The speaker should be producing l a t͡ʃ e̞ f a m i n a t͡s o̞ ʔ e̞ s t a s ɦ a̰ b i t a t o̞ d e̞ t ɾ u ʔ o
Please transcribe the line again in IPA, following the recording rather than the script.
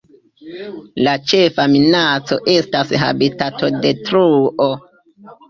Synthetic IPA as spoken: l a t͡ʃ e̞ f a m i n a t͡s o̞ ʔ e̞ s t a s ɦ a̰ b i t a t o̞ d e̞ t ɾ u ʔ o